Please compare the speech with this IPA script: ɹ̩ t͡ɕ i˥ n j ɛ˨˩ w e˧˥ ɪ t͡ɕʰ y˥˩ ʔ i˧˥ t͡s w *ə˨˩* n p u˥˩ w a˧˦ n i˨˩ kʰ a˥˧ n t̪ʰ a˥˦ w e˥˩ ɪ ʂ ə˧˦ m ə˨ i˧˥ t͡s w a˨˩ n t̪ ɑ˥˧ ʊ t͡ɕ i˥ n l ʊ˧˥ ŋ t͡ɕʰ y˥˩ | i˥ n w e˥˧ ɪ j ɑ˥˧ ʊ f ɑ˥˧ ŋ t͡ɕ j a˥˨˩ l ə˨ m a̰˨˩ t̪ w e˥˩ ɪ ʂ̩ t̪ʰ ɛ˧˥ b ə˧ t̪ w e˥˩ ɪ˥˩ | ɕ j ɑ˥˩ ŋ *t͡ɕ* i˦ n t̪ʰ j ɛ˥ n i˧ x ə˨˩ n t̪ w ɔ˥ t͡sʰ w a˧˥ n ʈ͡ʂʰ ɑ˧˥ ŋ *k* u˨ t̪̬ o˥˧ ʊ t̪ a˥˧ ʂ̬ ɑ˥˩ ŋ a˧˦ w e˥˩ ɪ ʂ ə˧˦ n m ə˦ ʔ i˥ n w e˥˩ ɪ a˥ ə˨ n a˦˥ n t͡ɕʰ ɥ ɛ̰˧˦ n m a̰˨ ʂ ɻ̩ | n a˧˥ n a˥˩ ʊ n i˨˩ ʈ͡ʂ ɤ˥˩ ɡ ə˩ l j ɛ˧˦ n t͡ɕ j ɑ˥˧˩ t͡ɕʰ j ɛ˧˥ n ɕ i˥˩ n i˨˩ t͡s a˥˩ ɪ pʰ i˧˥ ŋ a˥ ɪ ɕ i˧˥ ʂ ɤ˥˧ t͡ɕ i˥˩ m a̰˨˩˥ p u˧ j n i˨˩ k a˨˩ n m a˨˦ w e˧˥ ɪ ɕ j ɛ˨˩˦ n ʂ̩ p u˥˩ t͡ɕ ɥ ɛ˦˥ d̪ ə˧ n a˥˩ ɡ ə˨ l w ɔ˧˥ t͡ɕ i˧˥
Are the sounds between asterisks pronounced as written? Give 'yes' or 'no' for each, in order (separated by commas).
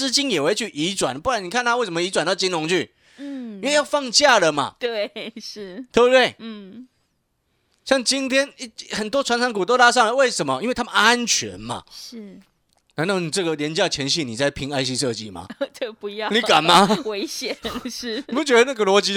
no, yes, yes